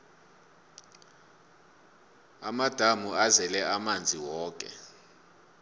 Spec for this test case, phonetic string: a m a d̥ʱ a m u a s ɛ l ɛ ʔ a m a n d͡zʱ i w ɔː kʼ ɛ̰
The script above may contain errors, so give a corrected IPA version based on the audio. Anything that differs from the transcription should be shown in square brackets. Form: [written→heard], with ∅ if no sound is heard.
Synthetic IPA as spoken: a m a d̥ʱ a m u a [s→z] ɛ l ɛ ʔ a m a n d͡zʱ i w ɔː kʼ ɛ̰

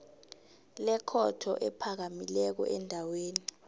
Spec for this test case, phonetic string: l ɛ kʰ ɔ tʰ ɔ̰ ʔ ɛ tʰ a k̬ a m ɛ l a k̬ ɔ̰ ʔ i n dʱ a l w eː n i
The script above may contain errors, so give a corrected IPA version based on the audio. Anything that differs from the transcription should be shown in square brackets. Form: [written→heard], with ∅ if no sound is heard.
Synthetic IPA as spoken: l ɛ kʰ ɔ tʰ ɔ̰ ʔ ɛ [tʰ→pʰ] a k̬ a m [ɛ→i] l [a→ɛ] k̬ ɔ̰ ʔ [i→ɛ] n dʱ a [l→∅] w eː n i

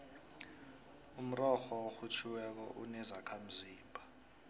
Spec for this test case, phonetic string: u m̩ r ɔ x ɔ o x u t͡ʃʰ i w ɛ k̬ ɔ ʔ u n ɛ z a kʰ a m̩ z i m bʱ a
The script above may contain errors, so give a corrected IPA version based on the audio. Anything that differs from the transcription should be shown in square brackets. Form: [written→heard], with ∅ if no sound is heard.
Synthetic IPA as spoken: u m̩ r ɔ x ɔ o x u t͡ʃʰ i w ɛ k̬ ɔ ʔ u n ɛ z a kʰ a m̩ z [i→iː] m bʱ a

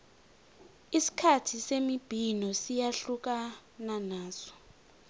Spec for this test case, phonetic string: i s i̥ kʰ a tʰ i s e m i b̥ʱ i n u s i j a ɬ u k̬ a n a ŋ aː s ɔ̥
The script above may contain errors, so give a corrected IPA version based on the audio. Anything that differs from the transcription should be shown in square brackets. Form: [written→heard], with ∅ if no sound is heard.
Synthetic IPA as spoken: i s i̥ kʰ a tʰ i s e m i b̥ʱ i n [u→ɔ] s i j a ɬ u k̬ a n a [ŋ→n] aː s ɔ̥

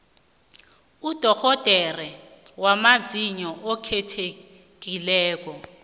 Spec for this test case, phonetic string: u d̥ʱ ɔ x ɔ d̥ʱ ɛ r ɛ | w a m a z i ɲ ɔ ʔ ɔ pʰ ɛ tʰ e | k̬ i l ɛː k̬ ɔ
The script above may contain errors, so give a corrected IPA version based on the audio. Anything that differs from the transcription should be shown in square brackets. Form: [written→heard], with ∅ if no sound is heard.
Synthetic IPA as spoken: u d̥ʱ ɔ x ɔ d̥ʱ ɛ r ɛ | w a m a z i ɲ ɔ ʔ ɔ [pʰ→kʰ] ɛ tʰ e | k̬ i l ɛː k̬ ɔ

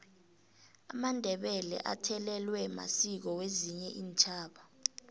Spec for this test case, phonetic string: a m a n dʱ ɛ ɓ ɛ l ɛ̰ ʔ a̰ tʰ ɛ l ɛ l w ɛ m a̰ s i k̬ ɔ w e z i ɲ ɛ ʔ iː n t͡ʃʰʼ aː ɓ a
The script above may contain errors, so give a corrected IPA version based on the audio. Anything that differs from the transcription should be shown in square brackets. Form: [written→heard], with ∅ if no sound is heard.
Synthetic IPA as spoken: a m a n dʱ ɛ ɓ ɛ l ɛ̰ ʔ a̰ tʰ ɛ l ɛ l w ɛ m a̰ s i k̬ ɔ w e z i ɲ ɛ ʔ iː n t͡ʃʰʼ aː ɓ a

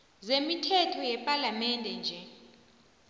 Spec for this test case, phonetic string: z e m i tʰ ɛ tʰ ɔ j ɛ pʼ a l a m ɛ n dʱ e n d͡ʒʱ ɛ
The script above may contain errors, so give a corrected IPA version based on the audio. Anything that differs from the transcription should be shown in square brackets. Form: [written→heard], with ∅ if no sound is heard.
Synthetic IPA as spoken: z e m i tʰ ɛ tʰ ɔ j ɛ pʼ a l a m ɛ n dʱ [e→ɛ] n d͡ʒʱ ɛ

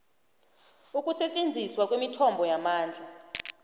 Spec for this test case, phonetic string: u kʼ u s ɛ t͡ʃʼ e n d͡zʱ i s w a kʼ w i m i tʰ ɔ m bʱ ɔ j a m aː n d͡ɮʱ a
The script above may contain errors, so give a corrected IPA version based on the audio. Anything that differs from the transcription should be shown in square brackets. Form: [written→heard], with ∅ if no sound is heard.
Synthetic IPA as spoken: u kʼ u s ɛ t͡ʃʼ e n d͡zʱ i s w a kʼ w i m i tʰ ɔ m bʱ ɔ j a m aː n d͡ɮʱ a

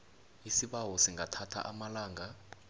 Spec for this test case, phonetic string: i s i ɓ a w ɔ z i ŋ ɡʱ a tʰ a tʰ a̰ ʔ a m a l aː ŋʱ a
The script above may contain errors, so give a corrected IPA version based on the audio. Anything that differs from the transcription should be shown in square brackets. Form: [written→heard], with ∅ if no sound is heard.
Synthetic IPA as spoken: i s i ɓ a w ɔ [z→s] i ŋ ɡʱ a tʰ a tʰ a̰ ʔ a m a l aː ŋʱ a

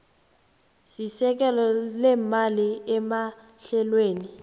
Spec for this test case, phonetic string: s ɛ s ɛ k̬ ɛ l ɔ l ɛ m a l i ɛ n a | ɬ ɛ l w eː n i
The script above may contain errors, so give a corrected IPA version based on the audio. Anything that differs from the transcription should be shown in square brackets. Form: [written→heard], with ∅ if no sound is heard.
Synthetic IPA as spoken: s [ɛ→i] s ɛ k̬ ɛ l ɔ l ɛ m a l i ɛ [n→m] a | ɬ ɛ l w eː n i

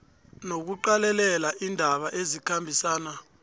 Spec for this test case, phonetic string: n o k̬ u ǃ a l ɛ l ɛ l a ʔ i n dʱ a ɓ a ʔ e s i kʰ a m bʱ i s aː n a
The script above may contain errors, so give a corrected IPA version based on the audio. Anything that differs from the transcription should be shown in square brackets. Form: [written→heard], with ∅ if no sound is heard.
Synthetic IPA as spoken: n o k̬ u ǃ a l ɛ l ɛ l a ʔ i n dʱ a ɓ a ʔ e [s→z] i kʰ a m bʱ i s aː n a

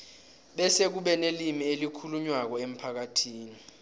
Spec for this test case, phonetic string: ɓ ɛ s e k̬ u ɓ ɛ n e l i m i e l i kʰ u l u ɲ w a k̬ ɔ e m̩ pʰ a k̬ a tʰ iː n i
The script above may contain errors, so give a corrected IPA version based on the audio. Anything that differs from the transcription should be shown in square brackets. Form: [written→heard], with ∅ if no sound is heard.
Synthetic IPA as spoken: ɓ ɛ s e k̬ u ɓ ɛ n e l i m i e l i kʰ u l u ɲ w a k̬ ɔ e m̩ pʰ a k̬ a tʰ iː n i

